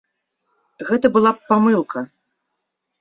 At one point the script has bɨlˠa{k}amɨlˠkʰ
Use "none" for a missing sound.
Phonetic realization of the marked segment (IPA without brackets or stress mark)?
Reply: p